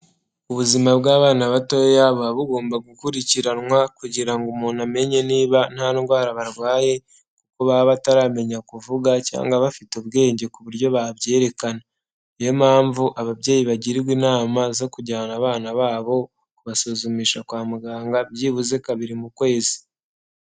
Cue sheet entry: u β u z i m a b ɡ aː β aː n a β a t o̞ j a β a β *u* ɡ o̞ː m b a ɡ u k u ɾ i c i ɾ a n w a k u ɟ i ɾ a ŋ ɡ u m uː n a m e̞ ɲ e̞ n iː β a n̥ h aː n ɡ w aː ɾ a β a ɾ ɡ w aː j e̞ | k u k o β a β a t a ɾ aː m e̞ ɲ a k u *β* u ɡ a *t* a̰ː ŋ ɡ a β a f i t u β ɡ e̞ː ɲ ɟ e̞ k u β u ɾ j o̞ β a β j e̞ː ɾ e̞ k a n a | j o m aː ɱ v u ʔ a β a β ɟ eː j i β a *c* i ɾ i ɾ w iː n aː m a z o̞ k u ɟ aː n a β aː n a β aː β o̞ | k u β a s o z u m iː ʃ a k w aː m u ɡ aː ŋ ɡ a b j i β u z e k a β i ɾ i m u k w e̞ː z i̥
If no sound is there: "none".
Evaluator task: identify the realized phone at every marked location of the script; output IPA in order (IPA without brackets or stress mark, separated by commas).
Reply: u, v, c, ɟ